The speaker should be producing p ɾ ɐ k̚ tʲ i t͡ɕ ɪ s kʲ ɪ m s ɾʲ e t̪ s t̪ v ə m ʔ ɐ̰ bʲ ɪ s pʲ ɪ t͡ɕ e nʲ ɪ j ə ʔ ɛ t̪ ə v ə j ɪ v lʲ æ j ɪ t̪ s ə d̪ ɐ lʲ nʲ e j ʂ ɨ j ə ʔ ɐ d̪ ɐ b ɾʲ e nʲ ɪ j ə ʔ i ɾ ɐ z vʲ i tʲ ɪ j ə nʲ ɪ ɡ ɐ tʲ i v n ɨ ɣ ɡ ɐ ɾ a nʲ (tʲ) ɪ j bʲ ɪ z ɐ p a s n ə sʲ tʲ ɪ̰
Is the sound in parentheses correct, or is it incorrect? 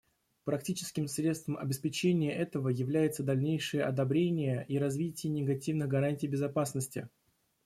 correct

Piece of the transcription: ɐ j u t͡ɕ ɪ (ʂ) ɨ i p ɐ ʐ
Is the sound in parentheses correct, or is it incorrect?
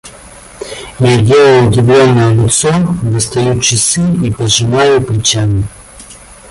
incorrect: s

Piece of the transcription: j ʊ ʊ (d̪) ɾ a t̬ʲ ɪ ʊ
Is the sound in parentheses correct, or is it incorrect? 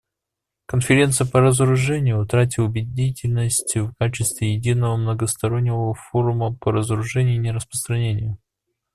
incorrect: t̪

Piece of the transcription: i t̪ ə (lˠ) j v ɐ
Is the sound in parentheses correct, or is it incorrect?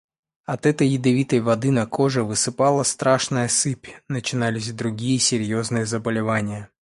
incorrect: none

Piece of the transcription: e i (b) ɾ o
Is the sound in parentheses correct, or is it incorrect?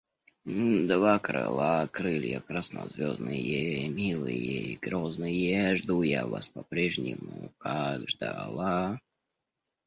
incorrect: ɡ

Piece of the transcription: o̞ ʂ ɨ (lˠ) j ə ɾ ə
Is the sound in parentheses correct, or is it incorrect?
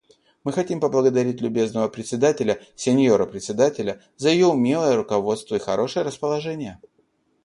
incorrect: none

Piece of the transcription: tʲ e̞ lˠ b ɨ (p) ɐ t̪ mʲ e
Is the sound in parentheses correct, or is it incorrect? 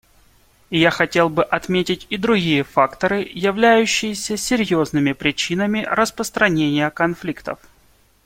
incorrect: ʔ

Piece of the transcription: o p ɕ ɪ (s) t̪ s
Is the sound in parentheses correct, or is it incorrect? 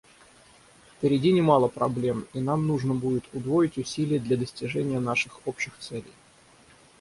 incorrect: x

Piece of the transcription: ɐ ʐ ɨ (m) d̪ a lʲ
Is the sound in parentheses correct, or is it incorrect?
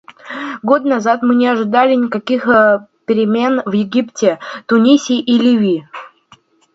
incorrect: none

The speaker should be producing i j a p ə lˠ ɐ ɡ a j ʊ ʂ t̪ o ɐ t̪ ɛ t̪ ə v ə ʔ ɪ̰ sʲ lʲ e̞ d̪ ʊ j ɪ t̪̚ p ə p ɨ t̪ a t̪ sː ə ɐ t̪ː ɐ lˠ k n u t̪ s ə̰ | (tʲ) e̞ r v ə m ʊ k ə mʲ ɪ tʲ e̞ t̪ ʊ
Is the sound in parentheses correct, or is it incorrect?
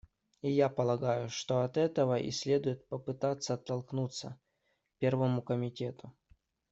incorrect: pʲ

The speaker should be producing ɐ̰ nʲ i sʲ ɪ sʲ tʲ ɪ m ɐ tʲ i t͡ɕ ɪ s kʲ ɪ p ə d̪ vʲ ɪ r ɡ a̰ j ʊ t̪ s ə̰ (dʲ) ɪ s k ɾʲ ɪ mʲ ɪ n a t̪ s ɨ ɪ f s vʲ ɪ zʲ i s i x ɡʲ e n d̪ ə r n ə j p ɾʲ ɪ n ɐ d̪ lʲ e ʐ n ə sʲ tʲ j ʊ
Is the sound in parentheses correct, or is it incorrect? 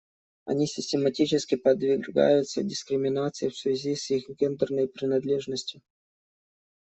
correct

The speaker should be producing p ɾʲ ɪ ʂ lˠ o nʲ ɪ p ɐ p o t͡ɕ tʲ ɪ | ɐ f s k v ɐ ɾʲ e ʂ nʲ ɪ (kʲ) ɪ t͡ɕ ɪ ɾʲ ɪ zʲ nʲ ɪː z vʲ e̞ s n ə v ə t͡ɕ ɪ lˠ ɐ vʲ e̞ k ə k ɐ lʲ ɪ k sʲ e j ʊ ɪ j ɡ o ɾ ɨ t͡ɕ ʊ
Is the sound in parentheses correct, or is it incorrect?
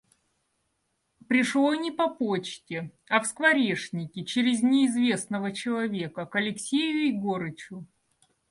correct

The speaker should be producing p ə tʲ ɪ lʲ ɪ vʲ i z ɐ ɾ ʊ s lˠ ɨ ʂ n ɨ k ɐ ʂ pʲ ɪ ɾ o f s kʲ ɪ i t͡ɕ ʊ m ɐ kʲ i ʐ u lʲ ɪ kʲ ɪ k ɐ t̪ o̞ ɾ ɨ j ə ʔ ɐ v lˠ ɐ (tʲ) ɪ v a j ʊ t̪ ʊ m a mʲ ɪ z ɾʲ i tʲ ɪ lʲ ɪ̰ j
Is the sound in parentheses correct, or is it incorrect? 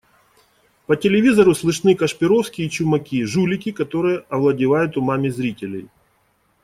incorrect: dʲ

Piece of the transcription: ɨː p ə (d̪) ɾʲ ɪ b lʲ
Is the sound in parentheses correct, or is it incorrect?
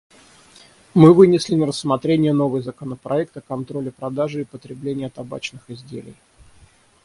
incorrect: t̪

